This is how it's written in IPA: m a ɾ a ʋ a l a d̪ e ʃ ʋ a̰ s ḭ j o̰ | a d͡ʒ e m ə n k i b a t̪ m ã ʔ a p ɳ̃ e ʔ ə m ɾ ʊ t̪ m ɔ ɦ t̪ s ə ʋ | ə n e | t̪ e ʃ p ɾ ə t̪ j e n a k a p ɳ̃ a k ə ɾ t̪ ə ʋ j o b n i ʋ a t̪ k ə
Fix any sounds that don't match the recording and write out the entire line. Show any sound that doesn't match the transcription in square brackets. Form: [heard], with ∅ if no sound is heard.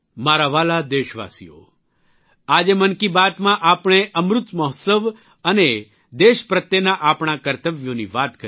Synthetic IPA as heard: m a ɾ a ʋ a l a d̪ e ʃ ʋ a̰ s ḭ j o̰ | a d͡ʒ e m ə n k i b a t̪ m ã ʔ a p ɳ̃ e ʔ ə m ɾ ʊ t̪ m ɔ ɦ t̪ s ə ʋ | ə n e | [d̪] e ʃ p ɾ ə t̪ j e n a [ʔ] a p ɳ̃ a k ə ɾ t̪ ə ʋ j o [∅] n i ʋ a t̪ k ə